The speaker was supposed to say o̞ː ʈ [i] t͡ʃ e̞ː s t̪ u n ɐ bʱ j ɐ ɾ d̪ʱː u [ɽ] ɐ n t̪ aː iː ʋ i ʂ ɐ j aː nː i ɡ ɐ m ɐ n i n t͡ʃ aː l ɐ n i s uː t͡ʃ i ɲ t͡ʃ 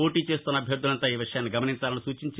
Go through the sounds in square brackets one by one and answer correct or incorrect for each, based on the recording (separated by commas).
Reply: incorrect, incorrect